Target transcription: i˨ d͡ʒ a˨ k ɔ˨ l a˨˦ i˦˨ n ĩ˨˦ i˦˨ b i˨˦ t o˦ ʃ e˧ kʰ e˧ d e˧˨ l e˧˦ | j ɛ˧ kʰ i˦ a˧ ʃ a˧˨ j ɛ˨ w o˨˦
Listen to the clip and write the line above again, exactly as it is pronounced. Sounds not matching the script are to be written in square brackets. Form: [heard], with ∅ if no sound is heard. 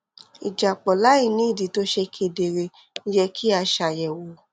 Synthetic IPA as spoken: i˨ d͡ʒ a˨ [k͡p] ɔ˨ l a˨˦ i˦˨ n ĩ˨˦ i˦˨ [d] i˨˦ t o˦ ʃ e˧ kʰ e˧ d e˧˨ [ɾ] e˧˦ | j ɛ˧ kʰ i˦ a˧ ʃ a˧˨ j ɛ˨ w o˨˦